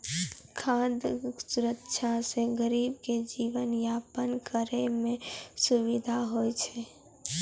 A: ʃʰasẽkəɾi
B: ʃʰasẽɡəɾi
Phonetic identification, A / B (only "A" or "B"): B